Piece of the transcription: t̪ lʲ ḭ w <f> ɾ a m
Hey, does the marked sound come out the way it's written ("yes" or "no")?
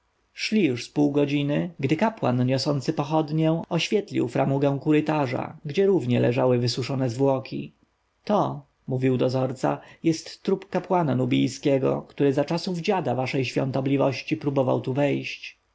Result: yes